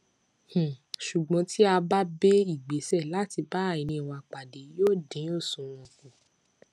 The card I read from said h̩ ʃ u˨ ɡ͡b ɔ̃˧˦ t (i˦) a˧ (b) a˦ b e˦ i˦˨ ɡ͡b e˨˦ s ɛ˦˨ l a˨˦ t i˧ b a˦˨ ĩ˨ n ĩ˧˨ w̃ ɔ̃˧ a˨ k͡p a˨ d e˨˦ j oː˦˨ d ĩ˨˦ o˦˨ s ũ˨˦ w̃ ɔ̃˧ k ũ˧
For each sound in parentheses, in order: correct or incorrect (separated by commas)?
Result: correct, correct